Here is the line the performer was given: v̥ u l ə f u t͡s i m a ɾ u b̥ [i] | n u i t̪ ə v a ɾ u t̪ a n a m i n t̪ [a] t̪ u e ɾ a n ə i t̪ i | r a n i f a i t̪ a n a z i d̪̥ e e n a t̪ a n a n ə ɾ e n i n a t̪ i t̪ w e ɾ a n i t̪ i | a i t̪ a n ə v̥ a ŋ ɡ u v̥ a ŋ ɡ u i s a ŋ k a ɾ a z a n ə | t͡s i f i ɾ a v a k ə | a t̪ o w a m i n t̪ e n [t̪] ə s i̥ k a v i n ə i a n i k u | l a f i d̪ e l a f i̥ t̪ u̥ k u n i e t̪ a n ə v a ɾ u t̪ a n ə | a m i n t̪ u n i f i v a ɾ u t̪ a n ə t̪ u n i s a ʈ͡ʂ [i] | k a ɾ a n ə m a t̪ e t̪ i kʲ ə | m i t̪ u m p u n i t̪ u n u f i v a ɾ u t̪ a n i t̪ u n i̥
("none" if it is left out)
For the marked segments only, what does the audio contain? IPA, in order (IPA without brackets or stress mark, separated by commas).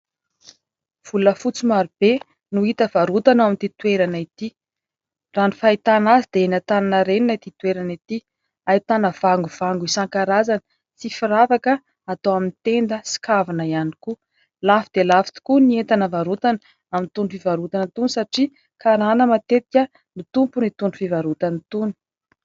e, i, d̪, i